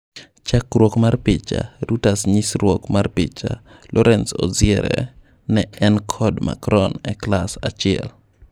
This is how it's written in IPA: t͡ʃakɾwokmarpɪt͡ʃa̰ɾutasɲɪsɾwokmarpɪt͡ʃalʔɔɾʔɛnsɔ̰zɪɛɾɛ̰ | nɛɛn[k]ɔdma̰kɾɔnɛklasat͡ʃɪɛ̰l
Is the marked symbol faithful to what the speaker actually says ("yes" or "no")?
no